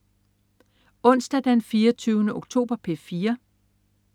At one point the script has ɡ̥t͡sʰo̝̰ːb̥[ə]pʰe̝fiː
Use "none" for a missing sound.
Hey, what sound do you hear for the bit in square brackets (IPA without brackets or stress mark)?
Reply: ɐ